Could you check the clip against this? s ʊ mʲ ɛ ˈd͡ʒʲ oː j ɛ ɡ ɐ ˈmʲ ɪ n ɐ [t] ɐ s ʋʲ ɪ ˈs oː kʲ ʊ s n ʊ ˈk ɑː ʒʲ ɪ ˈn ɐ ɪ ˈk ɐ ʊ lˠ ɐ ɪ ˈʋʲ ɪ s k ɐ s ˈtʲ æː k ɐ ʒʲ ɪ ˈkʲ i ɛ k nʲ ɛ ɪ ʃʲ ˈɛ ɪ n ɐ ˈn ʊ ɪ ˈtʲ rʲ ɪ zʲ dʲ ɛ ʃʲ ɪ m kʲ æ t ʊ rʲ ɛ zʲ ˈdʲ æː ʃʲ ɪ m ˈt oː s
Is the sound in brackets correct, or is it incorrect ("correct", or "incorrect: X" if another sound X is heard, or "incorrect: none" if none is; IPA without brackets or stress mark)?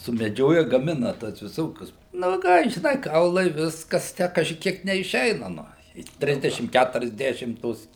correct